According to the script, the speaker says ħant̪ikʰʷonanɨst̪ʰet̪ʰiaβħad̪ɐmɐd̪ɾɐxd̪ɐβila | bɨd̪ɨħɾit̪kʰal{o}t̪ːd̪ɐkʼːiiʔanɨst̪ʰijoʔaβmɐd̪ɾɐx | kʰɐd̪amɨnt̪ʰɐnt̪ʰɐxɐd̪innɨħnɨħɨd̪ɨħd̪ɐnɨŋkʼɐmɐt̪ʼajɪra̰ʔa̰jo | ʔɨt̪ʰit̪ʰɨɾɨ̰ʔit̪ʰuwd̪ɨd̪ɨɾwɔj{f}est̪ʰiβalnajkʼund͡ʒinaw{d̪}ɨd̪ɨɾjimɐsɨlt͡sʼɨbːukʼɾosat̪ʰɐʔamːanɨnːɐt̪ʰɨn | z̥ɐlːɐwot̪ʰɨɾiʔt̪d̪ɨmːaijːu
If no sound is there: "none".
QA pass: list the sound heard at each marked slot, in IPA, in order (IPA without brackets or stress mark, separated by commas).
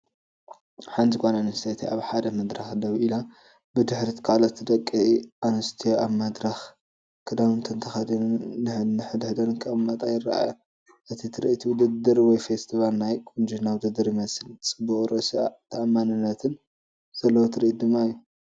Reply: o, f, d̪